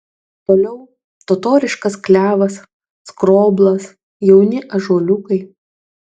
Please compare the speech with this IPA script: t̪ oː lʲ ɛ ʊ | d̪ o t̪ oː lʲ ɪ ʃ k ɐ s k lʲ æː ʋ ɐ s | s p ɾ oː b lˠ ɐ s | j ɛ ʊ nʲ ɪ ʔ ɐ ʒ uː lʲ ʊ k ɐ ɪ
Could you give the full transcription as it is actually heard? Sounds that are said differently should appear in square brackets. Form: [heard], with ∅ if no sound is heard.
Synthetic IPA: t̪ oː lʲ ɛ ʊ | [t̪] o t̪ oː [ɾʲ] ɪ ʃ k ɐ s k lʲ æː ʋ ɐ s | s [k] ɾ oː b lˠ ɐ s | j ɛ ʊ nʲ ɪ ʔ ɐ ʒ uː lʲ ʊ k ɐ ɪ